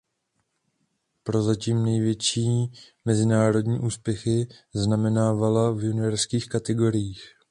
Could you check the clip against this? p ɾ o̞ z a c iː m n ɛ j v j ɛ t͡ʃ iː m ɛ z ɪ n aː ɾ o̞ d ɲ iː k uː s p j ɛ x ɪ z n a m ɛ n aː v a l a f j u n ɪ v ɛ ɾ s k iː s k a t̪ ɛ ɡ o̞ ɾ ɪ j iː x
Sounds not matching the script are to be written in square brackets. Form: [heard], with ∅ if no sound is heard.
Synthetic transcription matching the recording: p ɾ o̞ z a c iː m n ɛ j v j ɛ t͡ʃ iː m ɛ z ɪ n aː ɾ o̞ d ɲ iː [ʔ] uː s p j ɛ x ɪ z n a m ɛ n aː v a l a [v] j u n ɪ v ɛ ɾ s k iː [x] k a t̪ ɛ ɡ o̞ ɾ ɪ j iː x